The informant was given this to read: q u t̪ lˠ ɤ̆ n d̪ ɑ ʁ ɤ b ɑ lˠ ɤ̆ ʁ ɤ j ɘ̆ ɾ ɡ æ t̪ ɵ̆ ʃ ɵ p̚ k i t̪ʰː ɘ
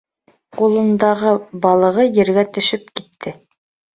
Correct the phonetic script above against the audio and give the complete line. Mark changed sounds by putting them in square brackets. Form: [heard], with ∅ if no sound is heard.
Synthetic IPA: q u [∅] lˠ ɤ̆ n d̪ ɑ ʁ ɤ b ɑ lˠ ɤ̆ ʁ ɤ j ɘ̆ ɾ ɡ æ t̪ ɵ̆ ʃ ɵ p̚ k i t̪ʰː ɘ